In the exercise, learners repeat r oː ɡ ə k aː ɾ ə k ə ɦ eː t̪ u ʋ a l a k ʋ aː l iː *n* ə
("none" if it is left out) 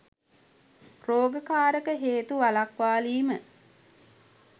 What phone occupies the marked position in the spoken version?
m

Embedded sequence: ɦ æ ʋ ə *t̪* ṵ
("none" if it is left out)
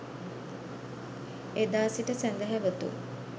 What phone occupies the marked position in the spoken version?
t̪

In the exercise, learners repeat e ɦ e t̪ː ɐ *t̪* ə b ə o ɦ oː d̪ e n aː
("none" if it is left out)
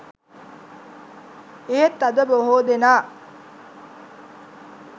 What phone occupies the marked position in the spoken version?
d̪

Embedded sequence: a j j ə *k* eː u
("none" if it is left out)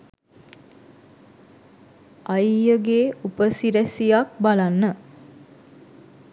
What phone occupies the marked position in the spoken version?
ɡ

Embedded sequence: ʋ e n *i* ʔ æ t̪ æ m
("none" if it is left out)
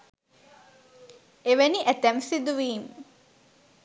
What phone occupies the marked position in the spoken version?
i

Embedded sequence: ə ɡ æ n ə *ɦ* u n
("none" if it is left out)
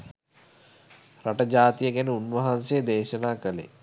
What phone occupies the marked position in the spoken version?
none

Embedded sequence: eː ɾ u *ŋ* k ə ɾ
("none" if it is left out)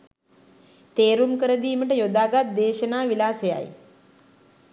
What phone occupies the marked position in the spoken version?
m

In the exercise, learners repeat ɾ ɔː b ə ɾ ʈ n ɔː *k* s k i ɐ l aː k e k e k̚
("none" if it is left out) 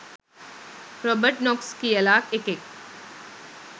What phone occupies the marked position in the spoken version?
k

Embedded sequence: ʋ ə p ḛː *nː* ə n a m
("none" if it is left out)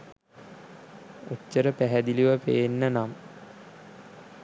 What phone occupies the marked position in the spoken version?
nː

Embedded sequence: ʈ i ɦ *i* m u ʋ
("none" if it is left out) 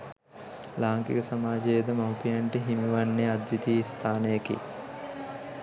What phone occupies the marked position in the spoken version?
i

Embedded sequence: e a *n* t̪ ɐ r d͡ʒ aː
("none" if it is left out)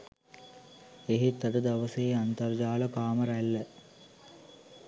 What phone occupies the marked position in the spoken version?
n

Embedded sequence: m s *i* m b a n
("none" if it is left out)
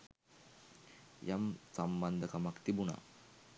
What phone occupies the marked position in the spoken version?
a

